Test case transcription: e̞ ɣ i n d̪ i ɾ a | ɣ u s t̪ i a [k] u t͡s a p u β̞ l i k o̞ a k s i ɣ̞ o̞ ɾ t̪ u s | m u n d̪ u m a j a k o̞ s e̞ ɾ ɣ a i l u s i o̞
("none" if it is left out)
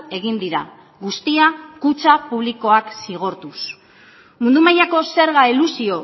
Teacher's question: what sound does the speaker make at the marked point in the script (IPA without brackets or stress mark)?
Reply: k